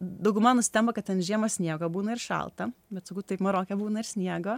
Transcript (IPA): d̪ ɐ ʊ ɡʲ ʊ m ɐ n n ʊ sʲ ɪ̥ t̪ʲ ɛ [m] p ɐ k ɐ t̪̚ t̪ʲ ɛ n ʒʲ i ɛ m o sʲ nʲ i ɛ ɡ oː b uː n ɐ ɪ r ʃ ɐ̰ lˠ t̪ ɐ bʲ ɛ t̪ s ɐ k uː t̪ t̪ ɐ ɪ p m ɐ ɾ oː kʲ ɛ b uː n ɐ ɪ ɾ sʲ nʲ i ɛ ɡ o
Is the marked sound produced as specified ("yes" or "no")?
yes